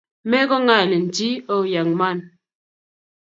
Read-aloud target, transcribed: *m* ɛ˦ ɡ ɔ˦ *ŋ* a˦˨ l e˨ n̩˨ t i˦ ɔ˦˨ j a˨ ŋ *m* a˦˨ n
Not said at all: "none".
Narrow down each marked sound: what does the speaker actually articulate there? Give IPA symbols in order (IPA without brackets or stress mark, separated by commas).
m, ŋ, m